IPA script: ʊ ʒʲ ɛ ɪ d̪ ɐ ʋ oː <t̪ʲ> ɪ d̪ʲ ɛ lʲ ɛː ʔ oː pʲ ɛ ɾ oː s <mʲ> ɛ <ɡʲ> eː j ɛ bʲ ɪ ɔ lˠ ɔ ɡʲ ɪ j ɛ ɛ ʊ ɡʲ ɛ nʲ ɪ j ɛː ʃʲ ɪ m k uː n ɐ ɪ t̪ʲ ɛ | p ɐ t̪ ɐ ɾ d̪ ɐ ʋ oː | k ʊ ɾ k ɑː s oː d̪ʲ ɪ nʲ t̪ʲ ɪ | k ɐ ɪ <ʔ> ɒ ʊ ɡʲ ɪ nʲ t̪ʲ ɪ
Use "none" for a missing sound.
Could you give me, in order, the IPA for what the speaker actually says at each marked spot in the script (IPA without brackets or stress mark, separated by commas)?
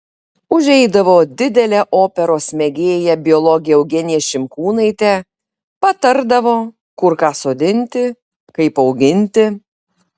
d̪ʲ, mʲ, ɡʲ, p